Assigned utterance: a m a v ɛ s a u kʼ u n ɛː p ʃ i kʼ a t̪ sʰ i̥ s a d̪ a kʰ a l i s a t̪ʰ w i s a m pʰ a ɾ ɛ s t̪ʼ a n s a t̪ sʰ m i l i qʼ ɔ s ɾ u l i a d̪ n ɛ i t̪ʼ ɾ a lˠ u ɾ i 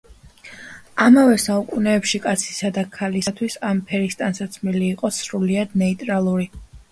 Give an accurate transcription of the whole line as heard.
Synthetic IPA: a m a v ɛ s a u kʼ u n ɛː p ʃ i kʼ a t̪ sʰ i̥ s a d̪ a kʰ a l i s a t̪ʰ w i s a m pʰ ɛ ɾ i s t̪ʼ a n s a t̪ sʰ m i l iː qʼ ɔ s ɾ u l i a d̪ n ɛ i t̪ʼ ɾ a lˠ u ɾ i